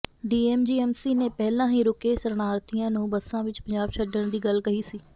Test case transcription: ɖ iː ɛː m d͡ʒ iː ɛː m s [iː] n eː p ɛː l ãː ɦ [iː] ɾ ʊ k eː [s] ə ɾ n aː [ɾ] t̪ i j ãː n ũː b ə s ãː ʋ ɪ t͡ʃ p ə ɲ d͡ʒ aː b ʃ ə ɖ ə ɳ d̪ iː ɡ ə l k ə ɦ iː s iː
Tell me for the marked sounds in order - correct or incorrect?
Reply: correct, correct, correct, correct

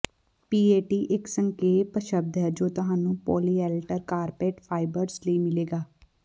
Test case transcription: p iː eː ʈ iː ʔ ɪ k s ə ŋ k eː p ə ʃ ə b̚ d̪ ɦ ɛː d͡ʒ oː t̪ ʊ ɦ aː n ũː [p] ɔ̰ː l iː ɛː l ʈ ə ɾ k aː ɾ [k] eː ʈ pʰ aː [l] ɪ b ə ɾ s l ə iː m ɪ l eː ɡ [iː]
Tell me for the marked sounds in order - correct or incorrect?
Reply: correct, incorrect: p, incorrect: none, incorrect: aː

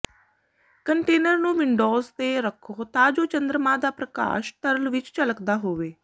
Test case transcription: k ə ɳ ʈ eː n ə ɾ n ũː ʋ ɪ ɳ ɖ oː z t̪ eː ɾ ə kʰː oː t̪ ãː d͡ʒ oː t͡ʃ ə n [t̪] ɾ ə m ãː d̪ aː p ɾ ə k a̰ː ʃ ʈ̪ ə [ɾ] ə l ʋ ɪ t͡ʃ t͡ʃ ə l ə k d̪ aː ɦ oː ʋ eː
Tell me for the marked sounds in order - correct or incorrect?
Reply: incorrect: d̪, correct

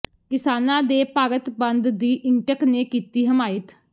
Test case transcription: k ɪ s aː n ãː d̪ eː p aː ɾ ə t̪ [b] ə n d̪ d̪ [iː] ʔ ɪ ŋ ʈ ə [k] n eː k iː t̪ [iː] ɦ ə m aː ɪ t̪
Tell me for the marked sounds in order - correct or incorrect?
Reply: correct, correct, correct, correct

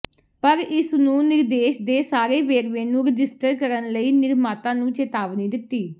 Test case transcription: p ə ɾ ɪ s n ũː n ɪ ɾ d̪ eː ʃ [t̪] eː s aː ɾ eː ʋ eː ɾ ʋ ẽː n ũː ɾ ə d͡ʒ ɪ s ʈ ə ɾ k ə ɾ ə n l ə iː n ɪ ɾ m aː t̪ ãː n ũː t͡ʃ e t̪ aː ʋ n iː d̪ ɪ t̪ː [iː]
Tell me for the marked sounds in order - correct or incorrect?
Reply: incorrect: d̪, correct

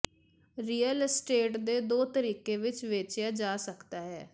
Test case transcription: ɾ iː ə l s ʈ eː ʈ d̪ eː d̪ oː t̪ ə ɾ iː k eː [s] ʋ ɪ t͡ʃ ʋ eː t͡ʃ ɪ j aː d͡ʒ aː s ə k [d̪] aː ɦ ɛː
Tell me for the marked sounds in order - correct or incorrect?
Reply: incorrect: none, incorrect: t̪

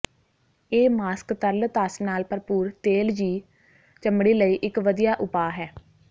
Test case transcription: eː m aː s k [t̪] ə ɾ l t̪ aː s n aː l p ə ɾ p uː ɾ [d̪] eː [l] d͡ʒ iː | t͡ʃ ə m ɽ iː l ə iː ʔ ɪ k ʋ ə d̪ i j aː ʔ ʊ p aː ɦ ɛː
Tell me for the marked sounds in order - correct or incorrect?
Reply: correct, incorrect: t̪, correct

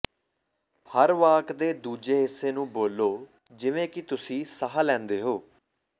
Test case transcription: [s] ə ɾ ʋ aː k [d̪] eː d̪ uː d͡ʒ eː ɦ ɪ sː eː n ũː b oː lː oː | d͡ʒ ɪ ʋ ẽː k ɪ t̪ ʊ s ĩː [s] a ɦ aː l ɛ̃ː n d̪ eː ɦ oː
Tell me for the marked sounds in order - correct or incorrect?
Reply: incorrect: h, correct, correct

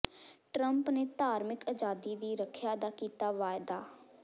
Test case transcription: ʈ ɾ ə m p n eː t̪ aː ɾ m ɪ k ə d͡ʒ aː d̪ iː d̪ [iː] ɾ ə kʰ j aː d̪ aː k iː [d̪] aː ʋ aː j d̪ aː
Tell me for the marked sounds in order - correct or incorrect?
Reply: correct, incorrect: t̪

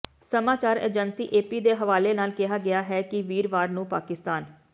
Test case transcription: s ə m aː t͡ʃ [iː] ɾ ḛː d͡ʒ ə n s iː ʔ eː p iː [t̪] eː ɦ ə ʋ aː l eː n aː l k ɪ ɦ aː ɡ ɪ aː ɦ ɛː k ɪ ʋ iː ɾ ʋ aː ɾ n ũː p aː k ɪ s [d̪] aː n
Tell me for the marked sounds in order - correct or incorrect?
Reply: incorrect: aː, incorrect: d̪, incorrect: t̪

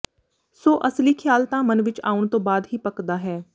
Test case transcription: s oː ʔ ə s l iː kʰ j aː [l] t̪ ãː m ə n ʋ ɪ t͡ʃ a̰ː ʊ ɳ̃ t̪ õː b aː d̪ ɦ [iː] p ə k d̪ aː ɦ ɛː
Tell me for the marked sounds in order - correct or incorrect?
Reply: correct, correct

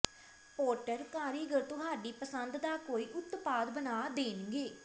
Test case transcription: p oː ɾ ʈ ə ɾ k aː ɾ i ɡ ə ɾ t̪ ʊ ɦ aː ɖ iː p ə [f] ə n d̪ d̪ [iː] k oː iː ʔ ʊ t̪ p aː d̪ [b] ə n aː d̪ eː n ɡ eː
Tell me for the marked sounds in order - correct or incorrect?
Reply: incorrect: s, incorrect: aː, correct

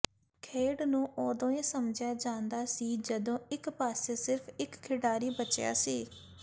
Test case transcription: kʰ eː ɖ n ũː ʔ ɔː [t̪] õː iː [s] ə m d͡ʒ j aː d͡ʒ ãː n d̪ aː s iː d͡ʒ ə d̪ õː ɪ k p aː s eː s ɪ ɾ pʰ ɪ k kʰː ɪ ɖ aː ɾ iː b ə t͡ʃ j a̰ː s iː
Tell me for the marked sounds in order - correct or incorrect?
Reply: incorrect: d̪, correct

